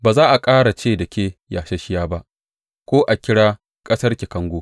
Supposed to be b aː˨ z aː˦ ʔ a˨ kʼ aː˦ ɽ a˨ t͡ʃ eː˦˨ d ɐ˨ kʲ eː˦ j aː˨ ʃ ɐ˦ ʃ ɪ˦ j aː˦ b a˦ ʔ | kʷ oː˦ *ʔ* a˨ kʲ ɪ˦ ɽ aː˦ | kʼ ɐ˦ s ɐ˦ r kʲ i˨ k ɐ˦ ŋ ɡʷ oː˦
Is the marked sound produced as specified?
yes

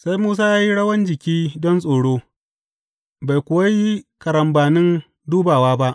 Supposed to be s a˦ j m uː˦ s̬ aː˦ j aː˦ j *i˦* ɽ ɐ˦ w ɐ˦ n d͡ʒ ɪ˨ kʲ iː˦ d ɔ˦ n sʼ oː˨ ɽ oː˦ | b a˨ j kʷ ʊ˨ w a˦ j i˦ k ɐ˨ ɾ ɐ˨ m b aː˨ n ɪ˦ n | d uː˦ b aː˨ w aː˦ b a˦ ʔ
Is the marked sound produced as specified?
yes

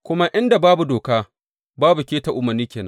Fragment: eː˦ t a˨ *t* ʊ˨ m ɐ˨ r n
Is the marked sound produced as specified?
no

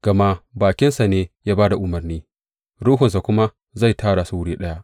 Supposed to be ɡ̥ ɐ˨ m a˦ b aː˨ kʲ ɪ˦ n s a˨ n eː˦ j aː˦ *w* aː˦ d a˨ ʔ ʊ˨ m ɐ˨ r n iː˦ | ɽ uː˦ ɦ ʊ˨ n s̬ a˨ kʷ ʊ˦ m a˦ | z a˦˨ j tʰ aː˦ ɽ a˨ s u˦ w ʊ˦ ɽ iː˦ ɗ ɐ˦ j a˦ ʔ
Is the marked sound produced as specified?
no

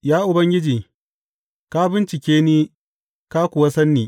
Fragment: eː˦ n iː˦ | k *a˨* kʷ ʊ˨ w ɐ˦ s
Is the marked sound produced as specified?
no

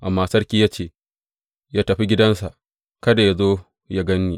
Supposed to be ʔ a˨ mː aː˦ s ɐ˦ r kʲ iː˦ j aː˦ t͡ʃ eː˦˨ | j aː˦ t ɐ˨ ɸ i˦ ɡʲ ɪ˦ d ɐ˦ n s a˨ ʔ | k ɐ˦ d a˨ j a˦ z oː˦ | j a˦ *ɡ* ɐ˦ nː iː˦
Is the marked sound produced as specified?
yes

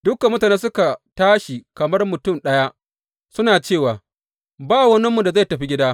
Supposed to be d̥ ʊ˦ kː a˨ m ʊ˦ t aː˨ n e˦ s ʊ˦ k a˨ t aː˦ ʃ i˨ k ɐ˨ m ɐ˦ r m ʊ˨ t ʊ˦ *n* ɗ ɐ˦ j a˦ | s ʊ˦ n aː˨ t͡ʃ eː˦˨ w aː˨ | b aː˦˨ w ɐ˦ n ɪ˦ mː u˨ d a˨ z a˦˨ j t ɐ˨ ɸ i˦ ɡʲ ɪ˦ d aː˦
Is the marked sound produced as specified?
no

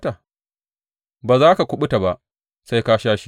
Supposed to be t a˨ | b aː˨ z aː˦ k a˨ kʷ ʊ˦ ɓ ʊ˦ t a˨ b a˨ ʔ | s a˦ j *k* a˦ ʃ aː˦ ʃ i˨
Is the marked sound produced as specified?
yes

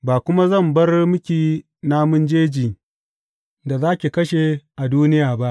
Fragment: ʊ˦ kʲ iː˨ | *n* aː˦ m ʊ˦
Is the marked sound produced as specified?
yes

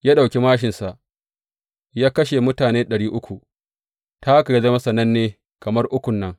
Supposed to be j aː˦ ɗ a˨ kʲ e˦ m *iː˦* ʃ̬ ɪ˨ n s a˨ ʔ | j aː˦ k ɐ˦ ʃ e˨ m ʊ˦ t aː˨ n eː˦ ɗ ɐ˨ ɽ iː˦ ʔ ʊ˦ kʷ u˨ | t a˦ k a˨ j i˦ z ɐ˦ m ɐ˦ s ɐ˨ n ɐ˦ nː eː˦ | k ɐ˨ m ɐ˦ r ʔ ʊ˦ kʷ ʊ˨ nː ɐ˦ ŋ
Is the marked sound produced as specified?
no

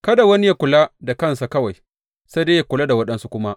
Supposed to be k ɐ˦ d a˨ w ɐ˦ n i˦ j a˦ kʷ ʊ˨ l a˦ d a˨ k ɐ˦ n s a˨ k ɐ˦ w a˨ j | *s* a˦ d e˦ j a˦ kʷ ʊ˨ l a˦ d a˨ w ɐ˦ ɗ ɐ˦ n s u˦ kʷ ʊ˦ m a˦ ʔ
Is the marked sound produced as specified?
yes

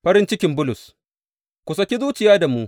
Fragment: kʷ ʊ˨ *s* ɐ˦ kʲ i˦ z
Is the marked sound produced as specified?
yes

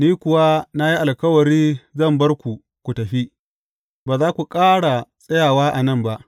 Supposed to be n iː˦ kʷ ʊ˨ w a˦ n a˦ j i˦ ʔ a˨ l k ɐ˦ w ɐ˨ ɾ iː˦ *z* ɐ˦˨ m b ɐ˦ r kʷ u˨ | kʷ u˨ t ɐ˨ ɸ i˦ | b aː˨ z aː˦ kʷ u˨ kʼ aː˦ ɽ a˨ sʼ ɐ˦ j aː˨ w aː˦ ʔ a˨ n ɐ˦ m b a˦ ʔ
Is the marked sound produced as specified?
yes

